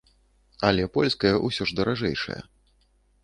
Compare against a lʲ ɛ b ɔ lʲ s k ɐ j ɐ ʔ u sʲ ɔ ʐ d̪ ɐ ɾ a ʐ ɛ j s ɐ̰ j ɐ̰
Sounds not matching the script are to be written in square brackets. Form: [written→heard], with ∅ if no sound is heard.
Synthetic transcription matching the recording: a lʲ ɛ [b→p] ɔ lʲ s k ɐ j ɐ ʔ u sʲ ɔ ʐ d̪ ɐ ɾ a ʐ ɛ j [s→ʂ] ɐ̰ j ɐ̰